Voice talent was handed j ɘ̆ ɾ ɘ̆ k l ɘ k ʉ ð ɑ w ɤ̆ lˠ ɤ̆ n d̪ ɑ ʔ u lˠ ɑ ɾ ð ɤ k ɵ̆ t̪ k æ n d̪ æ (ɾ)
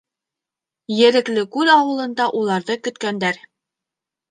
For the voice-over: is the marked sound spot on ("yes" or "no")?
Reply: yes